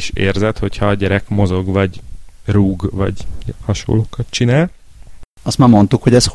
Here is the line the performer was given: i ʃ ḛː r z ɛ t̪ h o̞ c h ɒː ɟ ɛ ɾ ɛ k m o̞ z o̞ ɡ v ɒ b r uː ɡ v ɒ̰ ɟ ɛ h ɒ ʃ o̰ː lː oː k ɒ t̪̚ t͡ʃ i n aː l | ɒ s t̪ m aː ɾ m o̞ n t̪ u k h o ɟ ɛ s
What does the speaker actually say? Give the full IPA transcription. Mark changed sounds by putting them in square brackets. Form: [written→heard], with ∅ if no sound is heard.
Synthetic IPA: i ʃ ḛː r z ɛ t̪ h o̞ c h ɒː ɟ ɛ ɾ ɛ k m o̞ z o̞ ɡ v ɒ [b→ɟ] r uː ɡ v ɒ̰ ɟ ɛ h ɒ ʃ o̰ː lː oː k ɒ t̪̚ t͡ʃ i n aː l | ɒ s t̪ m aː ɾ m o̞ n t̪ u k h o ɟ ɛ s